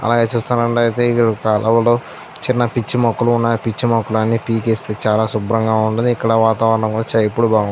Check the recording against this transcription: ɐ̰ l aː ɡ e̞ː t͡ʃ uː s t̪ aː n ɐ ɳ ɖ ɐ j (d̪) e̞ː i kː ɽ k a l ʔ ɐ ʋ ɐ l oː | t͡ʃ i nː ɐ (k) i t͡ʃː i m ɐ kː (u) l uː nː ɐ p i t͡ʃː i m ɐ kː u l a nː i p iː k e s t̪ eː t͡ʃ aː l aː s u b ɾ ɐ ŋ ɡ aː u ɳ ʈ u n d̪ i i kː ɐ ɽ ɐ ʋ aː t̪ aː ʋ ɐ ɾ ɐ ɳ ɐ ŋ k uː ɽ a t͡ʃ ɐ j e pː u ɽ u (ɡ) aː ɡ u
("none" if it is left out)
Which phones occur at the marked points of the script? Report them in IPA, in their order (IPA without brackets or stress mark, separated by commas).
t̪, p, u, b